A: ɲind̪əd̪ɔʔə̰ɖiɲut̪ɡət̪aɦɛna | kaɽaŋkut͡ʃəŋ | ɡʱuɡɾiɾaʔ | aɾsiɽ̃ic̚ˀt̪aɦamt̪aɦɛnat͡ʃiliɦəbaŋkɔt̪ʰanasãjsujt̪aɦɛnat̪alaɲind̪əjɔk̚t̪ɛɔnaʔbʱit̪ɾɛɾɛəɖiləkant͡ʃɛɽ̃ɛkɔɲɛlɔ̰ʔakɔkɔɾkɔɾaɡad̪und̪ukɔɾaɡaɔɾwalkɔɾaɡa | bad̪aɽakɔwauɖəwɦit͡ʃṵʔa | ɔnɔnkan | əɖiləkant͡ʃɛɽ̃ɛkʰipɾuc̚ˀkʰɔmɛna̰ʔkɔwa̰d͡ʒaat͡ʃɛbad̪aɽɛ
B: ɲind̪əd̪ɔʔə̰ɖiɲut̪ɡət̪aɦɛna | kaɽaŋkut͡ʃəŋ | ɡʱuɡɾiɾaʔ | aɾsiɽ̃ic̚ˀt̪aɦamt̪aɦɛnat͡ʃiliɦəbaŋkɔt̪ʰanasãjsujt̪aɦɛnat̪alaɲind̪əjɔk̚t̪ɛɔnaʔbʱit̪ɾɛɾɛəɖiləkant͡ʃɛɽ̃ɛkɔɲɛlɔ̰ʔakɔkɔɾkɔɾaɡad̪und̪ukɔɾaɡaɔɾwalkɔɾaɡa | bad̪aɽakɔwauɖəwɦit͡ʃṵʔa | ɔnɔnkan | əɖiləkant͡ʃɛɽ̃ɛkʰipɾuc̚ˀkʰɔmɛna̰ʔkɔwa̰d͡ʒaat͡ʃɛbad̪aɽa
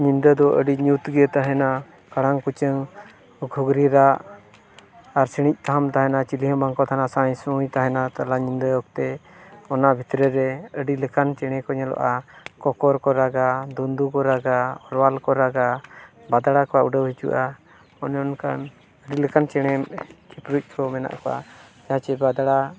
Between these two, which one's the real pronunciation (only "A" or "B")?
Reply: B